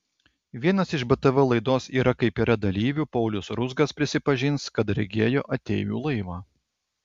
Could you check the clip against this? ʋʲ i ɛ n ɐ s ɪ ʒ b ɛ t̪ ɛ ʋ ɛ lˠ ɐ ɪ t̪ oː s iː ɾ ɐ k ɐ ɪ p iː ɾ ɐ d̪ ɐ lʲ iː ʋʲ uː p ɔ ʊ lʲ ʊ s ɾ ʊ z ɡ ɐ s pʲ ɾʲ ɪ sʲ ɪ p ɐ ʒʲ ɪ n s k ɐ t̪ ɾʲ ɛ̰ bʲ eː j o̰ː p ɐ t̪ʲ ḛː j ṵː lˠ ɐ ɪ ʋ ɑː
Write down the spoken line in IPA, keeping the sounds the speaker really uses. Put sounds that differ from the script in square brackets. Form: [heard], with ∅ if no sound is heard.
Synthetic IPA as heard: ʋʲ i ɛ n ɐ s ɪ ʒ b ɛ t̪ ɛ ʋ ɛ lˠ ɐ ɪ [d̪] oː s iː ɾ ɐ k ɐ ɪ p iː ɾ ɐ d̪ ɐ lʲ iː ʋʲ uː p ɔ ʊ lʲ ʊ s ɾ ʊ z ɡ ɐ s pʲ ɾʲ ɪ sʲ ɪ p ɐ ʒʲ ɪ n s k ɐ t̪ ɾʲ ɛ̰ [ɡʲ] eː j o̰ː [ʔ] ɐ t̪ʲ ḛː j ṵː lˠ ɐ ɪ ʋ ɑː